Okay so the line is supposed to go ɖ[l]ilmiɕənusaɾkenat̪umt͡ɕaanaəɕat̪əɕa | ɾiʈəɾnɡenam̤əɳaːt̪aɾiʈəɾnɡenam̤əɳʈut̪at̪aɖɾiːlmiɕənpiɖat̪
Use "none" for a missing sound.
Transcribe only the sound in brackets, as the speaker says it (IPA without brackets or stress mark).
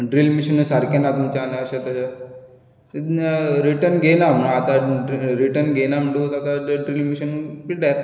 ɾ